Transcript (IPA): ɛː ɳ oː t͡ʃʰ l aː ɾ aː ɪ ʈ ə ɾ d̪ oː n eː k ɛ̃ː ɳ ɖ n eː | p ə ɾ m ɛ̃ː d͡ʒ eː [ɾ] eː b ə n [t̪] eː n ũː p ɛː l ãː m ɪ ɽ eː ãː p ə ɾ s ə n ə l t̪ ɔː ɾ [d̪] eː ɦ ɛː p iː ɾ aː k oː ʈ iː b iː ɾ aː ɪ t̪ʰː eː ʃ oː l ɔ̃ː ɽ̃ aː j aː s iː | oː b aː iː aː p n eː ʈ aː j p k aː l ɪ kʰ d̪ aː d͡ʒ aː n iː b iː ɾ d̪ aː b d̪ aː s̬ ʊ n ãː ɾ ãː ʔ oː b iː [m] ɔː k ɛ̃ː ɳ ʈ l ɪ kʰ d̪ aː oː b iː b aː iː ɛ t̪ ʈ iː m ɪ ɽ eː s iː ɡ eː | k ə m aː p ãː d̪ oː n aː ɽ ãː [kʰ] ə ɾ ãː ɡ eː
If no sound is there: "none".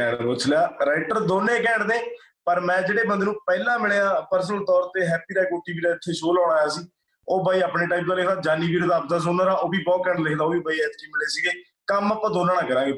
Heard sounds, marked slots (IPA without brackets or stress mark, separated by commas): ɽ, d̪, t̪, b, k